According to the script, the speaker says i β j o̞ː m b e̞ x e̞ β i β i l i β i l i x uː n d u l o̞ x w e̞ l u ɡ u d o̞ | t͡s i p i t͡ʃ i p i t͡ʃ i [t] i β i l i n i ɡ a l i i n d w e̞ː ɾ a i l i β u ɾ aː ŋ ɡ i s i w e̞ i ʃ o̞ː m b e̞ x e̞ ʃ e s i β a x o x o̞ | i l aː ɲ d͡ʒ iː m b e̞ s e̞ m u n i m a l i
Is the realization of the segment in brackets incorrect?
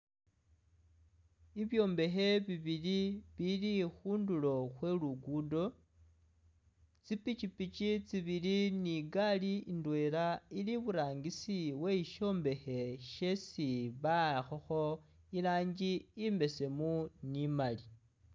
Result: yes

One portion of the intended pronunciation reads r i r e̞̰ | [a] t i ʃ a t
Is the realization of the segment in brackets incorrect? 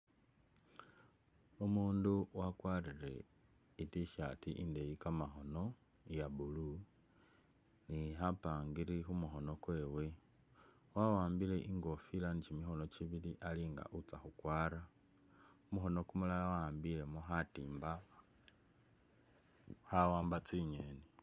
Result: yes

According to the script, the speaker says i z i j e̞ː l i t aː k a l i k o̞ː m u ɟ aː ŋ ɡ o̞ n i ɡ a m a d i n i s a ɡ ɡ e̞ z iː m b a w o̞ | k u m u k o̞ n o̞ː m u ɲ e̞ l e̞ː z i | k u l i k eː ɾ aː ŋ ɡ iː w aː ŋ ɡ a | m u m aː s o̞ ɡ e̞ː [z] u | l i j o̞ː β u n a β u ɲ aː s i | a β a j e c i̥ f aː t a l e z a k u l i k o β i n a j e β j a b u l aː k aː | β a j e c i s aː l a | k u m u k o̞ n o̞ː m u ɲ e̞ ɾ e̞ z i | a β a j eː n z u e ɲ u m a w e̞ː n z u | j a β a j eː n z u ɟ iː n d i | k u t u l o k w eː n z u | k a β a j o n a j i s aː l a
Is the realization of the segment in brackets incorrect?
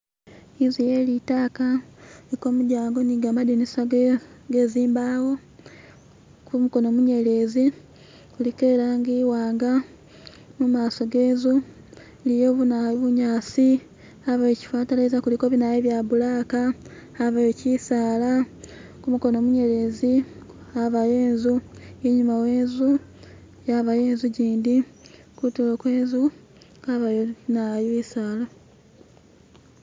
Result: no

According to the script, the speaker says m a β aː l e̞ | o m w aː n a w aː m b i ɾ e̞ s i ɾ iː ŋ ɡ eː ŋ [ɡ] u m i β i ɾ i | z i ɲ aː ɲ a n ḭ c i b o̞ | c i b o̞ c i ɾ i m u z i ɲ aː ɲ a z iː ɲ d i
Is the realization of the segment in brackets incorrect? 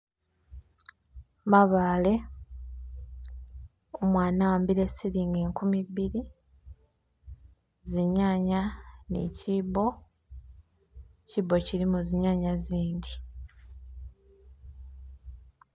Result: yes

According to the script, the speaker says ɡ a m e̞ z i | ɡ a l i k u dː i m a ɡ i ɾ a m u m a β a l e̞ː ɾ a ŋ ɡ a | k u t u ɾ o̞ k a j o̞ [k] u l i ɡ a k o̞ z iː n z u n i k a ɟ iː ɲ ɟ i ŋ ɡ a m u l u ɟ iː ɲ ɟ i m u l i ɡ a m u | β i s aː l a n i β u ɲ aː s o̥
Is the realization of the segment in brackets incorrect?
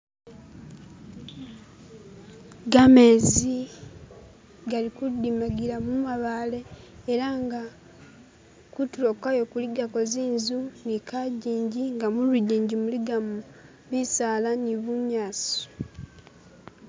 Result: no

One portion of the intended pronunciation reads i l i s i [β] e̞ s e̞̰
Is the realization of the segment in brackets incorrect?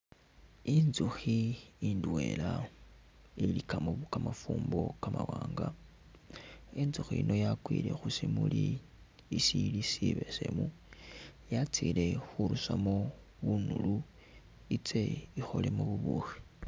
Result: no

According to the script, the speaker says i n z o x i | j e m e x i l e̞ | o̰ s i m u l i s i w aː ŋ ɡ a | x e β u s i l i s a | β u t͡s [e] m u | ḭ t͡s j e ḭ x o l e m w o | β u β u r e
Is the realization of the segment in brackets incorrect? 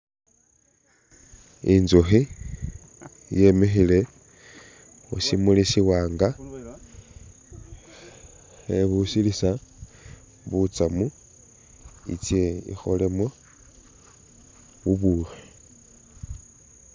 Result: yes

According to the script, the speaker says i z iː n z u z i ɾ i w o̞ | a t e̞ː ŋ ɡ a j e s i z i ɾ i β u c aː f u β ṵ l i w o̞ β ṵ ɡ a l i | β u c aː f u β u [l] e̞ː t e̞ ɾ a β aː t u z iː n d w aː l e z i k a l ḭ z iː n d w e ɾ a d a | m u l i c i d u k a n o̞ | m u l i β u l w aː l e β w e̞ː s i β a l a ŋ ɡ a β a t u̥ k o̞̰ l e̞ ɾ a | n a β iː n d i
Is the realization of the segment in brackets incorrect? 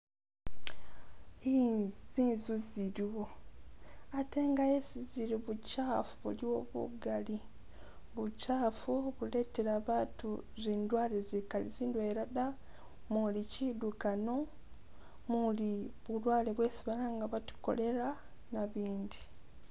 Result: no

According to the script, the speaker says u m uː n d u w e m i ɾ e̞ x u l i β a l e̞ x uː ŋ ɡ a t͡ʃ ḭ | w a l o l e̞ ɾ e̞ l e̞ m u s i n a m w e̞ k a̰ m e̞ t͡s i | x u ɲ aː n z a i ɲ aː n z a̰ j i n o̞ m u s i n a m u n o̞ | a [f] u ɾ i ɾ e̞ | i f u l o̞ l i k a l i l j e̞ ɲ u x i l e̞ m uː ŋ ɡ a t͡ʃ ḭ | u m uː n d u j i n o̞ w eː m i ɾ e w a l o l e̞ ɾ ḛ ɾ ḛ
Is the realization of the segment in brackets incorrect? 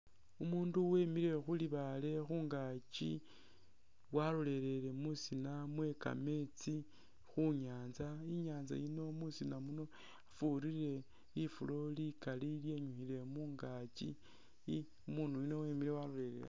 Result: no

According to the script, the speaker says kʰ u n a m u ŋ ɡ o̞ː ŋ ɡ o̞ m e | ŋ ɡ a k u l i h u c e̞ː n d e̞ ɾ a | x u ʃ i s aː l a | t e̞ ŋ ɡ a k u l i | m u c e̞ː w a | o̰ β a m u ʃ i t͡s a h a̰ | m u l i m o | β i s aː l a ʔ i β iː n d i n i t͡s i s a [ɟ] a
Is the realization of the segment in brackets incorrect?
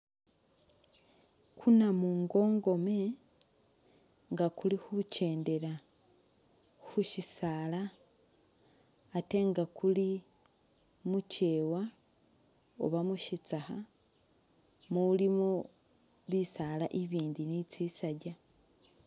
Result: no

